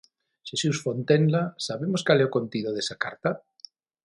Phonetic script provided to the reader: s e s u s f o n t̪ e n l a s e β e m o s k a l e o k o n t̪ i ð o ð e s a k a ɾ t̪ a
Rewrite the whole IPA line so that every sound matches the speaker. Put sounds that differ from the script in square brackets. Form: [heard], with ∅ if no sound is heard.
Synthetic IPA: [ʃ] e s u s f o n t̪ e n l a s [a] β e m o s k a l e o k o n t̪ i ð o ð e s a k a ɾ t̪ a

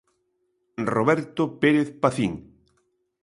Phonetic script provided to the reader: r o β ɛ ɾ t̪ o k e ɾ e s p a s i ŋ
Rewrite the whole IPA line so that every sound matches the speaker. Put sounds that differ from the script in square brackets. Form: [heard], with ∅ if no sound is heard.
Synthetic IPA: r o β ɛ ɾ t̪ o [p] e ɾ e [θ] p a [θ] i ŋ

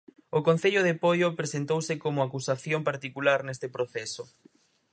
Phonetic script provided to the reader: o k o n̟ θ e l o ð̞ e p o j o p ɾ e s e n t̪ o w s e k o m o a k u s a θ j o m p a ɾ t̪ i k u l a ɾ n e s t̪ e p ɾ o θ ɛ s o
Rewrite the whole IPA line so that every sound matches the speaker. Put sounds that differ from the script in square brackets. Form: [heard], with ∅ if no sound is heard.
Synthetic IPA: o k o n̟ θ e [ʎ] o ð̞ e p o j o p ɾ e s e n t̪ o w s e k o m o a k u s a θ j o m p a ɾ t̪ i k u l a ɾ n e s t̪ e p ɾ o θ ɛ s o

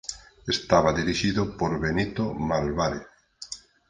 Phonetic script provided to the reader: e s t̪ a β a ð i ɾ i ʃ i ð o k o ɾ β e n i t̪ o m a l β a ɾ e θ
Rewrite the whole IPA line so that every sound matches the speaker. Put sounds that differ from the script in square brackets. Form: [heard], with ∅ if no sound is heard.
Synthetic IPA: e s t̪ a β a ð i ɾ i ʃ i ð o [p] o ɾ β e n i t̪ o m a l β a ɾ e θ

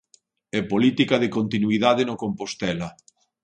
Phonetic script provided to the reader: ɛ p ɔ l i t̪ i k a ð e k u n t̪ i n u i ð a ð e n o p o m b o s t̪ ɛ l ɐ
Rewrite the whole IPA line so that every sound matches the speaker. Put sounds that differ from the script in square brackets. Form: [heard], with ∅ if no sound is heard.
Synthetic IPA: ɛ p [o] l i t̪ i k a ð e k [o] n t̪ i n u i ð a ð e n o [k] o m [p] o s t̪ ɛ l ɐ

